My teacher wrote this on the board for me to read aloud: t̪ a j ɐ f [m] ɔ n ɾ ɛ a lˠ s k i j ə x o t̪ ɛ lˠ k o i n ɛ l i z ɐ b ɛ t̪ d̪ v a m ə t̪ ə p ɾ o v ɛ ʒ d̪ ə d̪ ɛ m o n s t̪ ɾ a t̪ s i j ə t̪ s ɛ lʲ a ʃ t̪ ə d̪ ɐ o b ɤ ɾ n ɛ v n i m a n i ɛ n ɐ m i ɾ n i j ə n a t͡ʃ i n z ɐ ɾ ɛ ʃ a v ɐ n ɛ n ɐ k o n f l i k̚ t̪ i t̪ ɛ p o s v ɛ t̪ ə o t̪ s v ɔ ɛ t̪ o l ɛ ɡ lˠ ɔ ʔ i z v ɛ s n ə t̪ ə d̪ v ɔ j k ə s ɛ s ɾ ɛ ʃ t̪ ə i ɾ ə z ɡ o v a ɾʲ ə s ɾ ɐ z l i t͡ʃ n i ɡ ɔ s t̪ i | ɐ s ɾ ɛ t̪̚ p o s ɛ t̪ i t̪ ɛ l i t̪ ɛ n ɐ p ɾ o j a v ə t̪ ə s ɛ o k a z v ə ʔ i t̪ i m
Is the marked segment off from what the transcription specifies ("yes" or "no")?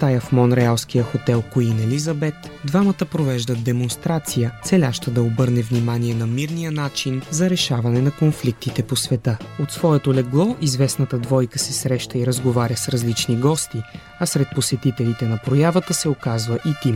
no